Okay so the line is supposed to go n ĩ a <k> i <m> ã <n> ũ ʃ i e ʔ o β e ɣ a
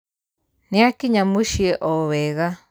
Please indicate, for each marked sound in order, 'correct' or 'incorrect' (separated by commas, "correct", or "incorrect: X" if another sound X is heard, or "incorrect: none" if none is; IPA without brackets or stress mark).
correct, incorrect: ɲ, incorrect: m